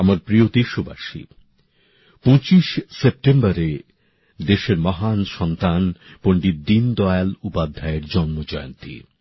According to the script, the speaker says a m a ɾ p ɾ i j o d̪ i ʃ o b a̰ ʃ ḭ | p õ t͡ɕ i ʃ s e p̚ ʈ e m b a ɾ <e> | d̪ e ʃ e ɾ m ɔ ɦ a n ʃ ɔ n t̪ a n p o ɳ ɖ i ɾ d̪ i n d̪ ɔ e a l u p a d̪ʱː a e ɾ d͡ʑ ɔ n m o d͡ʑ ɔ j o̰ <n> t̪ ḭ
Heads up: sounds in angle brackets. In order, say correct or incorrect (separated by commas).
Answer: correct, correct